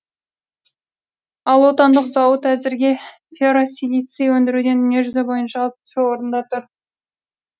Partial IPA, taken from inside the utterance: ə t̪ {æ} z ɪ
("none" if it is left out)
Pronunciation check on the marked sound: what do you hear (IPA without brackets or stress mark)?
æ